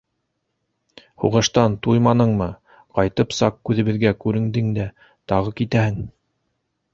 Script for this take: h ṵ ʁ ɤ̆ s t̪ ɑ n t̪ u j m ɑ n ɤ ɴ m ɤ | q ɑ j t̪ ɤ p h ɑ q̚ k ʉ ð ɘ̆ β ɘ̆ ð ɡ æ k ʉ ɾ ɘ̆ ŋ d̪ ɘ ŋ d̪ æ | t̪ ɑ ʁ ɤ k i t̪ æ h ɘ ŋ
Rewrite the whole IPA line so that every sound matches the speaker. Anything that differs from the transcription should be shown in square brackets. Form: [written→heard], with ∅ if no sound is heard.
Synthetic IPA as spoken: h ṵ ʁ ɤ̆ [s→ʃ] t̪ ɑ n t̪ u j m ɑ n ɤ ɴ m ɤ | q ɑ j t̪ ɤ p [h→s] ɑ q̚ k ʉ ð ɘ̆ β ɘ̆ ð ɡ æ k ʉ ɾ ɘ̆ ŋ d̪ ɘ ŋ d̪ æ | t̪ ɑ ʁ ɤ k i t̪ æ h ɘ ŋ